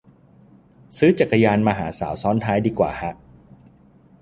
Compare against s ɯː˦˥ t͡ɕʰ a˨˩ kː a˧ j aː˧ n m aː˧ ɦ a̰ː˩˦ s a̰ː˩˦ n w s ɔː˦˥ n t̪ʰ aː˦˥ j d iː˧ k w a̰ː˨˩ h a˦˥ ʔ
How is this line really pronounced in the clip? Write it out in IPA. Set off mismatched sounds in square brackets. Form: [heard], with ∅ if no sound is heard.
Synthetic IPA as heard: s ɯː˦˥ [t͡ɕ] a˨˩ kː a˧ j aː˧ n m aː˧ ɦ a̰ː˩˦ s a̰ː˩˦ [∅] w s ɔː˦˥ n t̪ʰ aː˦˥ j d iː˧ k w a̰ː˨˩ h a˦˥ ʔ

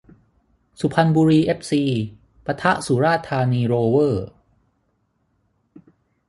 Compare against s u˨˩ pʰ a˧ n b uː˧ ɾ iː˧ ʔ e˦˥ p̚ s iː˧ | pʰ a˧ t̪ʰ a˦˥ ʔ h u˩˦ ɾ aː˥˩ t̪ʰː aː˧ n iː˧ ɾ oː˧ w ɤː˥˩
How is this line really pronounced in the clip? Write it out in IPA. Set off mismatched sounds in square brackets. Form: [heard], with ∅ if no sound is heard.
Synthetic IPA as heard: s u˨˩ pʰ a˧ n b uː˧ ɾ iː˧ ʔ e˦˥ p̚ s iː˧ | [p] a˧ t̪ʰ a˦˥ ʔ [s] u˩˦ ɾ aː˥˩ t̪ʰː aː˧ n iː˧ ɾ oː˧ w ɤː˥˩

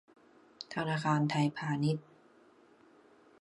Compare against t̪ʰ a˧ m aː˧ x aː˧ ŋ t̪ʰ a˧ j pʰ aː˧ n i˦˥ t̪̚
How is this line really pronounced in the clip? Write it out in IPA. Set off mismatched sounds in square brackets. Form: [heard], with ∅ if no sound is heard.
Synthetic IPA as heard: t̪ʰ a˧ [n] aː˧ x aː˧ [n] t̪ʰ a˧ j pʰ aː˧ n i˦˥ t̪̚

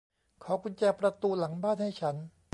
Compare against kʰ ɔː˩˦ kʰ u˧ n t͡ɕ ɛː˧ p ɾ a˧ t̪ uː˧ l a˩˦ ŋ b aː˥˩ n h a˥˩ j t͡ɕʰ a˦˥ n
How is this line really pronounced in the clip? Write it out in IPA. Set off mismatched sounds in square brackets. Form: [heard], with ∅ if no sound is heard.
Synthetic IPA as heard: kʰ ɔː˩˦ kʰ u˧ n t͡ɕ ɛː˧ p ɾ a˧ t̪ uː˧ l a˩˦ ŋ b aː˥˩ n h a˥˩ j t͡ɕʰ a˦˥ n

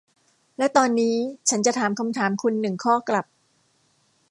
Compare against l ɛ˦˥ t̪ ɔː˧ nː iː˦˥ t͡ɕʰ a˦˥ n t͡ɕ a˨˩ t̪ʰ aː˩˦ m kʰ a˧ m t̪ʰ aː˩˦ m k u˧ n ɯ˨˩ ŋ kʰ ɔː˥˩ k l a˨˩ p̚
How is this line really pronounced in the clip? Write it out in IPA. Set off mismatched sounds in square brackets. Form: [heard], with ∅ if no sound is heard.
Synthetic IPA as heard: l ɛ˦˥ t̪ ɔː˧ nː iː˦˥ t͡ɕʰ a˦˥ n t͡ɕ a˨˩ t̪ʰ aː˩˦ m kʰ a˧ m t̪ʰ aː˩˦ m [kʰ] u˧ [nː] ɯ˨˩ ŋ kʰ ɔː˥˩ k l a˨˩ p̚

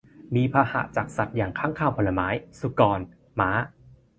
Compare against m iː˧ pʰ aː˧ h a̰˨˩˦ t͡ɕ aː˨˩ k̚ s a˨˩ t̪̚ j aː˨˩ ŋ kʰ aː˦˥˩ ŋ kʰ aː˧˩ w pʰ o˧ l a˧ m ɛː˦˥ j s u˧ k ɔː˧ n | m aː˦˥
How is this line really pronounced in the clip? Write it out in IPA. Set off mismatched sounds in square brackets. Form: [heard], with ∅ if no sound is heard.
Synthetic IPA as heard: m iː˧ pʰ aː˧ h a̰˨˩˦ t͡ɕ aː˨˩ k̚ s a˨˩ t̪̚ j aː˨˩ ŋ kʰ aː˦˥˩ ŋ kʰ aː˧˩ w pʰ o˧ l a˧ m [aː˦˥] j s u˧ k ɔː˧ n | m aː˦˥

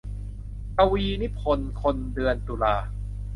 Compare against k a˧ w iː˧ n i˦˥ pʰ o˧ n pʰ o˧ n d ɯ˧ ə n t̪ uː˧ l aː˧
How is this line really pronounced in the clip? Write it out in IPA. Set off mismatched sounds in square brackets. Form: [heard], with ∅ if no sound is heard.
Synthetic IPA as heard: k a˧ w iː˧ n i˦˥ pʰ o˧ n [kʰ] o˧ n d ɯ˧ ə n t̪ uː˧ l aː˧

